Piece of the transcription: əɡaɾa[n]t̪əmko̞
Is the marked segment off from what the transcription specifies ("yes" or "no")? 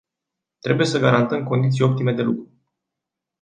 no